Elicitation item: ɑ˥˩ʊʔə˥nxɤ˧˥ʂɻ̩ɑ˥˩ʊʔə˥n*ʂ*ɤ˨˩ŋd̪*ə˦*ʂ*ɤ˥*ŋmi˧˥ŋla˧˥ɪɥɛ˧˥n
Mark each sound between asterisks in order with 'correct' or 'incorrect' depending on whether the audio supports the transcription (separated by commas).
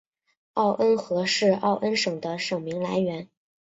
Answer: correct, correct, incorrect